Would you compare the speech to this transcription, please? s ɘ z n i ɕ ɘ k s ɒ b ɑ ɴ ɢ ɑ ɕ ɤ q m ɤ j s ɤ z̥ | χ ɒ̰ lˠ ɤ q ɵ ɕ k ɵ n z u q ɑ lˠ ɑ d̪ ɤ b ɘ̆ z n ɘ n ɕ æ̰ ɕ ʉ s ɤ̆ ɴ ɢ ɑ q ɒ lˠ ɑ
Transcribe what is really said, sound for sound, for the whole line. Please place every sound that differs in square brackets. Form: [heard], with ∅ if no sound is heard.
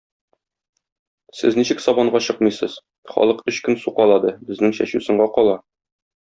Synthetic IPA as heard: s ɘ z n i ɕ ɘ k s ɒ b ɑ ɴ ɢ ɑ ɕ ɤ q m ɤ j s ɤ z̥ | χ ɒ̰ lˠ ɤ q ɵ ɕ k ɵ n [s] u q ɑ lˠ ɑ d̪ ɤ b ɘ̆ z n ɘ [ŋ] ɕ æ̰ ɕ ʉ s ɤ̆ ɴ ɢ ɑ q ɒ lˠ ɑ